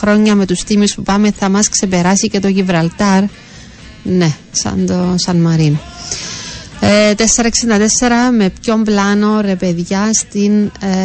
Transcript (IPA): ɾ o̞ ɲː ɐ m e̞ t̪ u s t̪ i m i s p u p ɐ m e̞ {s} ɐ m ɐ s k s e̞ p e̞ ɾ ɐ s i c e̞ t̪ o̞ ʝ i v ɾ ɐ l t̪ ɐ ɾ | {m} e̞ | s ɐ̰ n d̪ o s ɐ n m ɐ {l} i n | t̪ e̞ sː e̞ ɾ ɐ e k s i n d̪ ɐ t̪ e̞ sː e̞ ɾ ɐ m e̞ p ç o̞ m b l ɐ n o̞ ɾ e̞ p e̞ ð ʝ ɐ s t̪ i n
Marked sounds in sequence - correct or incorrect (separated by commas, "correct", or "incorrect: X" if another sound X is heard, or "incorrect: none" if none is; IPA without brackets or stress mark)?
incorrect: θ, incorrect: n, incorrect: ɾ